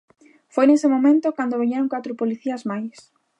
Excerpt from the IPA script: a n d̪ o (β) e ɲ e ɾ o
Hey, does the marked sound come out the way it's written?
yes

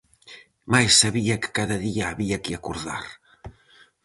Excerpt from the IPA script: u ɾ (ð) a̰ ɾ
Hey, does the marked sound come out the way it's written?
yes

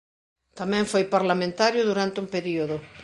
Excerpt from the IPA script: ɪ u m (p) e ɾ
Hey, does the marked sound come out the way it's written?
yes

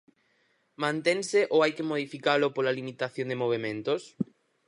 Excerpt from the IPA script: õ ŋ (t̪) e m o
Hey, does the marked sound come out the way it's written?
no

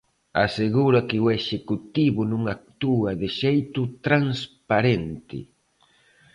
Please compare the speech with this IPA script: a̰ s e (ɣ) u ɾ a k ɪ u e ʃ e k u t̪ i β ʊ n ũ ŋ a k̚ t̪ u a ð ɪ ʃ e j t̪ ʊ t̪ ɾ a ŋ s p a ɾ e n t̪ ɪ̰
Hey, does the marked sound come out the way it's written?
yes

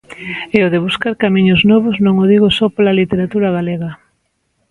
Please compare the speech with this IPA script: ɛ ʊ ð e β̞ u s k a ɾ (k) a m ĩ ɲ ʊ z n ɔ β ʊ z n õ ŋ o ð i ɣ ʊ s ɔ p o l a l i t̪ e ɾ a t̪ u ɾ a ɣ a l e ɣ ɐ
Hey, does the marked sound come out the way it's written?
yes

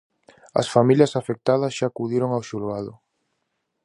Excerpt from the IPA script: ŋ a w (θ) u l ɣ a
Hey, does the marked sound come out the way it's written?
no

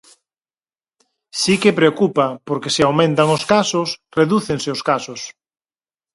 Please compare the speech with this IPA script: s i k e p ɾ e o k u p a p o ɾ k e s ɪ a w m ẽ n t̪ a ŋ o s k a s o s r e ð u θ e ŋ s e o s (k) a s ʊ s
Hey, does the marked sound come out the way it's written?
yes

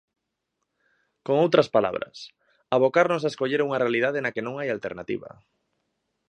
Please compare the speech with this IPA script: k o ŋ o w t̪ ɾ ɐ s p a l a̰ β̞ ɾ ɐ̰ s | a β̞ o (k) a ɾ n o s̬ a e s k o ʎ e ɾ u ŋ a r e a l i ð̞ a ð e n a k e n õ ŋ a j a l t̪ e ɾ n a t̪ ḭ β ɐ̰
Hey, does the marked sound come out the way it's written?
yes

